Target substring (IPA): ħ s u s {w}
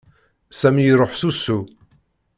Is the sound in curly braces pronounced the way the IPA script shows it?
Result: no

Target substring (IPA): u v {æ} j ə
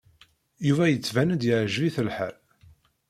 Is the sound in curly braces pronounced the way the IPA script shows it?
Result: yes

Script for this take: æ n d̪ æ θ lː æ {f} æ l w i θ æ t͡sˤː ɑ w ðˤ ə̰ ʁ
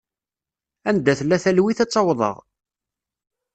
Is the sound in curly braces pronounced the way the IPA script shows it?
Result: no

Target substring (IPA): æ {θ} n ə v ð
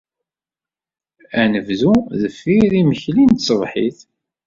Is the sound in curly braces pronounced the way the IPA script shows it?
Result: no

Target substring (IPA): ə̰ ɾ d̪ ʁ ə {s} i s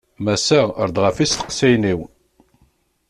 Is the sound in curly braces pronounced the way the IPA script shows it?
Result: no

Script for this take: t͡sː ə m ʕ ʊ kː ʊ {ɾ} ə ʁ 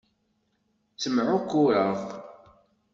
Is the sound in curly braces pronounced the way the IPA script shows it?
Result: yes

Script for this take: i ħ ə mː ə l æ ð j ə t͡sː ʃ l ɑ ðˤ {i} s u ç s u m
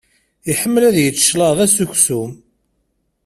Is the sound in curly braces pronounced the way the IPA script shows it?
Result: no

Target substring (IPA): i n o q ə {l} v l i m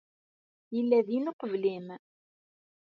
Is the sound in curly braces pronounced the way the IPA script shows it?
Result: no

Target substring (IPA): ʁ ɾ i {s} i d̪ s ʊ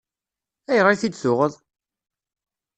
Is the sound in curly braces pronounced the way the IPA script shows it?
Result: no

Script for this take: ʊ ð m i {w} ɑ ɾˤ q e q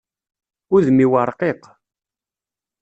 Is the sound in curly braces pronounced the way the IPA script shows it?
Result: yes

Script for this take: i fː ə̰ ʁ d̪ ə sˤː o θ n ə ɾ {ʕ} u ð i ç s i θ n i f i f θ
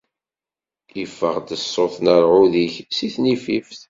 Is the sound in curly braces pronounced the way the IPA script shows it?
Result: yes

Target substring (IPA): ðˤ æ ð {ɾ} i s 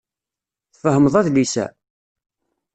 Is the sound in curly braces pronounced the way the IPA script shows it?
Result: no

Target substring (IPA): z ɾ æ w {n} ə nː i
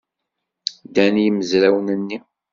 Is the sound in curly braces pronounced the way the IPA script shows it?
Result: yes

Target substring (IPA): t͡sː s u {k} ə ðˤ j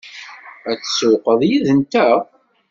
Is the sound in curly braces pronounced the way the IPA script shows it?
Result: no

